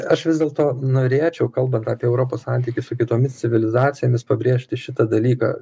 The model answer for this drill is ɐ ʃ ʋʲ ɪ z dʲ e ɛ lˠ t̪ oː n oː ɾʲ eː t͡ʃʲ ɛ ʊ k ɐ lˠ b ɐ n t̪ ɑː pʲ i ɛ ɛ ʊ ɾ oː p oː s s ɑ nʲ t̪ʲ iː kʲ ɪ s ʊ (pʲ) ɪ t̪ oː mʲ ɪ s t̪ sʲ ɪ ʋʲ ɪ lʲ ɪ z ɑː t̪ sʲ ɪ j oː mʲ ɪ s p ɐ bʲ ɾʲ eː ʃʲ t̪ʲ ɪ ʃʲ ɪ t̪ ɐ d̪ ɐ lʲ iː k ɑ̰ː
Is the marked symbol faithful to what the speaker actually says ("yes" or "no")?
no